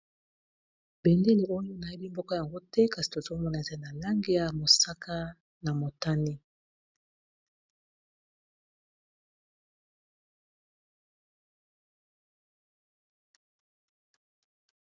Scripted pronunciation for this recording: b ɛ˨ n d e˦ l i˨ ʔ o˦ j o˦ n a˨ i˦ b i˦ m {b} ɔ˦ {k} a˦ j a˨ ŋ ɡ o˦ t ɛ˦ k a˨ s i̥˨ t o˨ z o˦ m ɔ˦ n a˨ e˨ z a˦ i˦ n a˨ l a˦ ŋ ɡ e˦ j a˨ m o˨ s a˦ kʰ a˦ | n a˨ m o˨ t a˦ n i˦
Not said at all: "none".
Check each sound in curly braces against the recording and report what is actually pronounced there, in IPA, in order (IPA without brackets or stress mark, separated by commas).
b, k